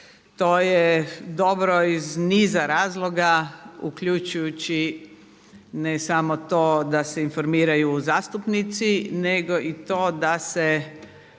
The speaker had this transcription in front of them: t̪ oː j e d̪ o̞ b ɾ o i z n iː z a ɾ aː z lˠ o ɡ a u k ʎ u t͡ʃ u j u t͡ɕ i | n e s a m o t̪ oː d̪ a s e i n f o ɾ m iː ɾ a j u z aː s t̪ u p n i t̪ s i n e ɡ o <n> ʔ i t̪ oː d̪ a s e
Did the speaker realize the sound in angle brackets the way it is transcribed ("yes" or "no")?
no